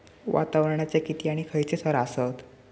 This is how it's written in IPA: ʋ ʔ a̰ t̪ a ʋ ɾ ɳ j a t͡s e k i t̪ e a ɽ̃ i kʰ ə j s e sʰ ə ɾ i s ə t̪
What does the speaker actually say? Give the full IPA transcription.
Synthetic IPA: ʋ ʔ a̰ t̪ a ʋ ɾ ɳ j a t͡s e k i t̪ i a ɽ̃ i kʰ ə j t͡s e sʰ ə ɾ a s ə t̪